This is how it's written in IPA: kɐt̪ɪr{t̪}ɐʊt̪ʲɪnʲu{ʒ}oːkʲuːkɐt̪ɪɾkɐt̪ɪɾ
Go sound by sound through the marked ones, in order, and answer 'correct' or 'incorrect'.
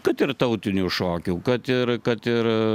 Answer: correct, incorrect

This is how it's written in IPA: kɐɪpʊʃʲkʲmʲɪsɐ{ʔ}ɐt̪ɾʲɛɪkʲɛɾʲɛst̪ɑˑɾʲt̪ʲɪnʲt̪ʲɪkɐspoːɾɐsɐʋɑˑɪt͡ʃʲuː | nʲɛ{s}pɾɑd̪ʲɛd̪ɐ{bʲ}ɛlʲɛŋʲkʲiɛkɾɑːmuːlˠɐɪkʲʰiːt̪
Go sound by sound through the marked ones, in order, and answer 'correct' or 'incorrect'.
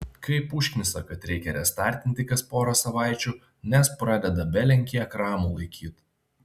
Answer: incorrect, correct, correct

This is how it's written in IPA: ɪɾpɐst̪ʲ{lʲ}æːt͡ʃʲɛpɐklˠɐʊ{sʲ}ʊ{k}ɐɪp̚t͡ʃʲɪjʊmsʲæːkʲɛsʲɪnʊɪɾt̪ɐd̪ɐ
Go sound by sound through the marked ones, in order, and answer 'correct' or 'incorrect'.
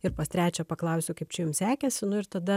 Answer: incorrect, correct, correct

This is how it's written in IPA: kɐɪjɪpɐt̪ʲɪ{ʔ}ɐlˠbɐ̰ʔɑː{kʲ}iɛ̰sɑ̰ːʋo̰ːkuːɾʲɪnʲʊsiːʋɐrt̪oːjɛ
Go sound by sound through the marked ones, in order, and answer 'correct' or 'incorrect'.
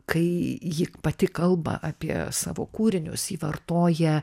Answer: incorrect, incorrect

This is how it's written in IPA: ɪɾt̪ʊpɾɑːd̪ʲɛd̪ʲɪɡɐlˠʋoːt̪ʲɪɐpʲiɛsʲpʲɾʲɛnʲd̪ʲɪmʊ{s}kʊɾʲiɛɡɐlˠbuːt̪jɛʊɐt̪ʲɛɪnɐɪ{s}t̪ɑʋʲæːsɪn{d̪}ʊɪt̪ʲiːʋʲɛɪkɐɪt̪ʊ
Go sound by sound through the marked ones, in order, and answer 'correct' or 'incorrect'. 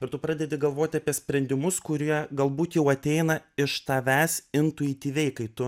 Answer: correct, incorrect, incorrect

